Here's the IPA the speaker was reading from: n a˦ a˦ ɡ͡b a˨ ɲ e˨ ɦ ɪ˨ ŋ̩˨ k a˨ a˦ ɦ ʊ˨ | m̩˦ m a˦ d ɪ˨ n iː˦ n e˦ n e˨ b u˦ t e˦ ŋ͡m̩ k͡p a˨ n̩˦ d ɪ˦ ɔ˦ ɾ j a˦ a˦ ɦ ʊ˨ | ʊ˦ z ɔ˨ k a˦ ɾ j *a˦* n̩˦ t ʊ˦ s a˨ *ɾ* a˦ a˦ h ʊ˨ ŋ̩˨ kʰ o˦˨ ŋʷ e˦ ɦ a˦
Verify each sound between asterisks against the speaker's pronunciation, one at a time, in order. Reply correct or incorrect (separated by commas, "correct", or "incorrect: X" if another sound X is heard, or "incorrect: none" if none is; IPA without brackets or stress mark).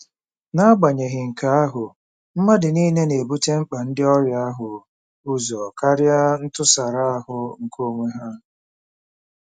correct, correct